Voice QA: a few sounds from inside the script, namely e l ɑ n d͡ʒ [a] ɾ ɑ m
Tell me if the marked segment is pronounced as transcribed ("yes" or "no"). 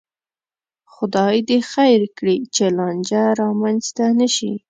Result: yes